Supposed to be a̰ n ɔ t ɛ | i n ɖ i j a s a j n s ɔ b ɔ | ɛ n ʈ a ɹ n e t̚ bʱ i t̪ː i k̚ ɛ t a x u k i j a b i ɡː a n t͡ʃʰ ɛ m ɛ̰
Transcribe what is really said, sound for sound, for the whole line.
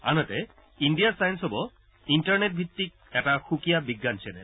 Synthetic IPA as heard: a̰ n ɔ t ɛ | i n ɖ i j a s a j n s ɔ b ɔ | i n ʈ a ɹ n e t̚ bʱ i t̪ː i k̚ ɛ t a x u k i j a b i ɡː a n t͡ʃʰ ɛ n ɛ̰